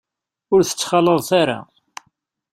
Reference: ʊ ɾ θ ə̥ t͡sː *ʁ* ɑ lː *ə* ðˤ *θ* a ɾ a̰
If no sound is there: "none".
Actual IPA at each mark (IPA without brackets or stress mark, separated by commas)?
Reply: χ, ə, θ